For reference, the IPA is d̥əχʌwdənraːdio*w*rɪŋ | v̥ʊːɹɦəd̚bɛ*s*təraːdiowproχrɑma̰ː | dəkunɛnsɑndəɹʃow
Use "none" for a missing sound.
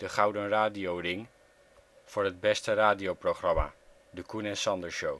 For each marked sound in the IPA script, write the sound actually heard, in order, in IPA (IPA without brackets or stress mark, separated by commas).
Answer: w, s